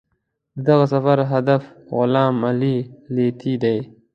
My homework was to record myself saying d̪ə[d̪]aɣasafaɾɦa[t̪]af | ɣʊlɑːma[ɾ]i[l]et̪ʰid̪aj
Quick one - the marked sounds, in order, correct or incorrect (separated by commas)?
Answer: correct, incorrect, incorrect, correct